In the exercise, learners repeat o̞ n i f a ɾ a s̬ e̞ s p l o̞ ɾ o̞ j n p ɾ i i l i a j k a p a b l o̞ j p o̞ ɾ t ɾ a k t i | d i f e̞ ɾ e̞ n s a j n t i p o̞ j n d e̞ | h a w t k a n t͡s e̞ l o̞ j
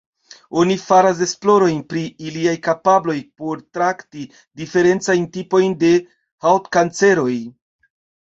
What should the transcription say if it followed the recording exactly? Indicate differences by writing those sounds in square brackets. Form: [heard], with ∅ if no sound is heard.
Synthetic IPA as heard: o̞ n i f a ɾ a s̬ e̞ s p l o̞ ɾ o̞ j n p ɾ i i l i a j k a p a b l o̞ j p o̞ ɾ t ɾ a k t i | d i f e̞ ɾ e̞ n [t͡s] a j n t i p o̞ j n d e̞ | h a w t k a n t͡s e̞ [ɾ] o̞ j